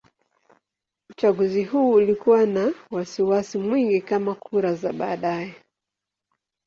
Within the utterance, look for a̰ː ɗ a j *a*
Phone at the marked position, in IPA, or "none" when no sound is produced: ɛ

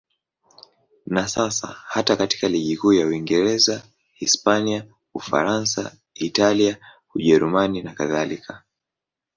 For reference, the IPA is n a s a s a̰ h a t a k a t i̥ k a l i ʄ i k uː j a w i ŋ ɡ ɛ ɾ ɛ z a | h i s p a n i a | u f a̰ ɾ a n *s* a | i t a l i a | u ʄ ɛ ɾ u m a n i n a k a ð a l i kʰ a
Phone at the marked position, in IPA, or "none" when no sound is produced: s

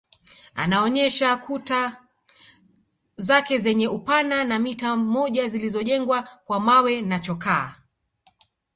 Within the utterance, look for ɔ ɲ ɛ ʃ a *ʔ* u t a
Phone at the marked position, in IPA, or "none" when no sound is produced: k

